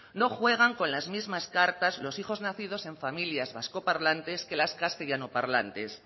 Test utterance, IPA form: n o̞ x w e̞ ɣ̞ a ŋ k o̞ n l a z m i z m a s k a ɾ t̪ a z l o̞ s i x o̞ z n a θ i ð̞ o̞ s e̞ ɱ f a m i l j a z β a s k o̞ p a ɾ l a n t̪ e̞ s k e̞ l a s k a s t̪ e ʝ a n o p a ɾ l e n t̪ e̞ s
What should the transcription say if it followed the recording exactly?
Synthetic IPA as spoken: n o̞ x w e̞ ɣ̞ a ŋ k o̞ n l a z m i z m a s k a ɾ t̪ a z l o̞ s i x o̞ z n a θ i ð̞ o̞ s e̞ ɱ f a m i l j a z β a s k o̞ p a ɾ l a n t̪ e̞ s k e̞ l a s k a s t̪ e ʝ a n o p a ɾ l a n t̪ e̞ s